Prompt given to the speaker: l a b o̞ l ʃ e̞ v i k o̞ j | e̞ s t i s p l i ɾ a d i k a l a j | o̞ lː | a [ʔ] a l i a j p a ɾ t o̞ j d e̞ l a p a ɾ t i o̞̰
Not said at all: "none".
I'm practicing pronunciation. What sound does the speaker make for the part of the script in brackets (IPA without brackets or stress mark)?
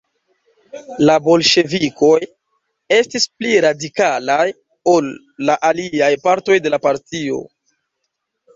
ʔ